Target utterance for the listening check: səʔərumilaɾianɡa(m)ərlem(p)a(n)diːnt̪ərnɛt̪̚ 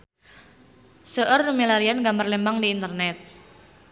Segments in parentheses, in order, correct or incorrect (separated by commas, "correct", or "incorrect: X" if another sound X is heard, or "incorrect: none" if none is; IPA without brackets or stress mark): correct, incorrect: b, incorrect: ŋ